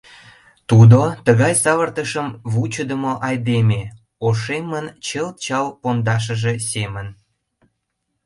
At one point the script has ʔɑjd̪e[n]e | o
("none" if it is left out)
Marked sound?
m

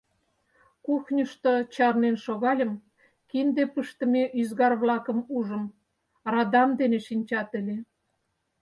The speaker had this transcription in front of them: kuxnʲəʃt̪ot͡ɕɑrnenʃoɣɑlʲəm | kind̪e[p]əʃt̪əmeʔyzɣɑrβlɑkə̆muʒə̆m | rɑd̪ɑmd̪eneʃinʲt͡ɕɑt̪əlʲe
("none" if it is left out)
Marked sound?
p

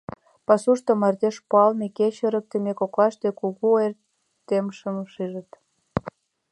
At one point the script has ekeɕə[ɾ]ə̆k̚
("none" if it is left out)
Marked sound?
ɾ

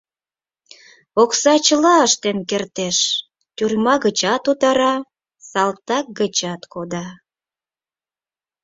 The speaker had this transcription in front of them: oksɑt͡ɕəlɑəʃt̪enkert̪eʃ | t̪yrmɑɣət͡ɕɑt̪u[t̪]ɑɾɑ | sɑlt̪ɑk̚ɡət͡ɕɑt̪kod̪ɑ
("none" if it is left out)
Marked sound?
t̪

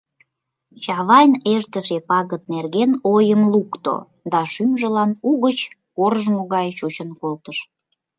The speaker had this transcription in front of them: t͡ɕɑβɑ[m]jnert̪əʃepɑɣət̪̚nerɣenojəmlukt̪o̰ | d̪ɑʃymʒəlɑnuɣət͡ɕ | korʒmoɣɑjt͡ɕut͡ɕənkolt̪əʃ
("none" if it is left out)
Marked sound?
none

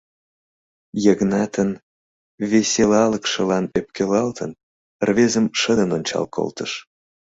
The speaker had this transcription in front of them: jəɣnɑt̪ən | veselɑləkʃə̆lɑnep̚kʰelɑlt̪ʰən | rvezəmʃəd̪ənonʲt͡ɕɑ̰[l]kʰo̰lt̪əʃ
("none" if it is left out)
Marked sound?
l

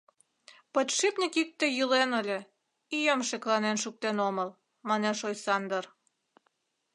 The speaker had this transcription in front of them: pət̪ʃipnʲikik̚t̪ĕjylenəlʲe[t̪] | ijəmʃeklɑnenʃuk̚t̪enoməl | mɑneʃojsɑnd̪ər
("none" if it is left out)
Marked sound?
none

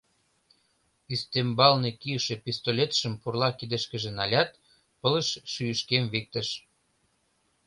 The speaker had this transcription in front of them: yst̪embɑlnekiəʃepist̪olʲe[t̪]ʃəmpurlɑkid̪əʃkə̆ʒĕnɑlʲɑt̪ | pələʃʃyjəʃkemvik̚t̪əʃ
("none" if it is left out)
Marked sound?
t̪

